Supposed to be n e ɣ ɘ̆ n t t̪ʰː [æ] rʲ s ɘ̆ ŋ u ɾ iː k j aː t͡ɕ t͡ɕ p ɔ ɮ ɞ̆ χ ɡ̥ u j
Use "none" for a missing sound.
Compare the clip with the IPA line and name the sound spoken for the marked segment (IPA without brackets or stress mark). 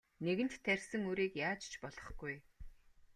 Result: æ